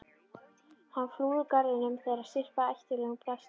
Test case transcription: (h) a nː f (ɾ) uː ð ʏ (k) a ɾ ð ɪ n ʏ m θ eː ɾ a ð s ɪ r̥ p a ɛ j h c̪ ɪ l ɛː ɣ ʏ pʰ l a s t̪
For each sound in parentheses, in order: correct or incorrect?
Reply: correct, incorrect, correct

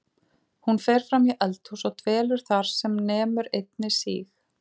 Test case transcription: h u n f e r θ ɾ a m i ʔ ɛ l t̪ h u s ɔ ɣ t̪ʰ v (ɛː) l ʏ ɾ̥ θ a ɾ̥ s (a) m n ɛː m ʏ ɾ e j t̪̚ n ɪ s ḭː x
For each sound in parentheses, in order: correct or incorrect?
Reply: correct, incorrect

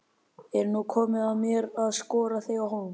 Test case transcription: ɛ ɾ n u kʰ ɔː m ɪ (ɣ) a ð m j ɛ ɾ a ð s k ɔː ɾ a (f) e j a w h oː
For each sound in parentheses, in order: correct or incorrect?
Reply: incorrect, incorrect

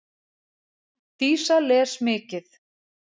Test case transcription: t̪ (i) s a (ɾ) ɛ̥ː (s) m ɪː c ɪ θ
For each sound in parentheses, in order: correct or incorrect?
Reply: incorrect, incorrect, correct

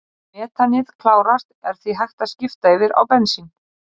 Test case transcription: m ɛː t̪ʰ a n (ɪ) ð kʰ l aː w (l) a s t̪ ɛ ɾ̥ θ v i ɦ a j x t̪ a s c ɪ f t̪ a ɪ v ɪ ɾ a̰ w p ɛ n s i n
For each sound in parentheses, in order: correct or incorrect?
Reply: correct, incorrect

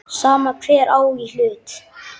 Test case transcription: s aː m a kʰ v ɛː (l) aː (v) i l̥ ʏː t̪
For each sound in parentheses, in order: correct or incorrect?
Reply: incorrect, incorrect

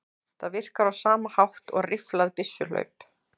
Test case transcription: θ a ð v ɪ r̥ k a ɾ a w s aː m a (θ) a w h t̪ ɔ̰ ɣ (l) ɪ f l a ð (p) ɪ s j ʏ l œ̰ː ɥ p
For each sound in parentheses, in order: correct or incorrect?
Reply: incorrect, incorrect, correct

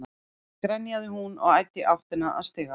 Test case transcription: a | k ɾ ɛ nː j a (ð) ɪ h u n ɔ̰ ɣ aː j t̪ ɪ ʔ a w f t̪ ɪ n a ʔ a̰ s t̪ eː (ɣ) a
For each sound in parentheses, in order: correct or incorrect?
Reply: correct, correct

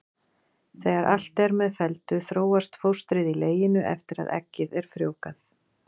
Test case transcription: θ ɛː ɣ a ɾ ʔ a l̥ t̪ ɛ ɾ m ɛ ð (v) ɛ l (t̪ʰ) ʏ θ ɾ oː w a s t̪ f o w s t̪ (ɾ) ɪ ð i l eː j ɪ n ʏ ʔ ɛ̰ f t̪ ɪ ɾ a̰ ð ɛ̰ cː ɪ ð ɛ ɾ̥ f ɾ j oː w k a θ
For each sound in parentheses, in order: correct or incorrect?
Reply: incorrect, incorrect, correct

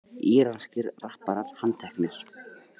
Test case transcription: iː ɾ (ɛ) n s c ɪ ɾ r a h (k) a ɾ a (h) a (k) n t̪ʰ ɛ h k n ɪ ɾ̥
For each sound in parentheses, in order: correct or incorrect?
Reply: incorrect, incorrect, correct, incorrect

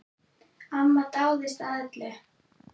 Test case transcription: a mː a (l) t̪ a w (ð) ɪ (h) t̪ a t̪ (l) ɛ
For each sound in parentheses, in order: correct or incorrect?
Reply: incorrect, correct, incorrect, correct

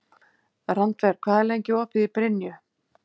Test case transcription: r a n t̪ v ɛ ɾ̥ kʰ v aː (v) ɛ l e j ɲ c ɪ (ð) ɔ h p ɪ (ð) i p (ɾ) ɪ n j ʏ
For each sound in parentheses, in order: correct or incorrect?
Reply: incorrect, incorrect, correct, correct

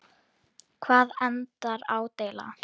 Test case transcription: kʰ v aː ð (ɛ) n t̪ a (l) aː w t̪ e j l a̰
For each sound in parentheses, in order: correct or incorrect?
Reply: correct, incorrect

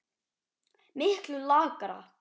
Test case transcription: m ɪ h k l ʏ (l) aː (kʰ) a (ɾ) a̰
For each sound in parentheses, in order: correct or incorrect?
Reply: correct, incorrect, correct

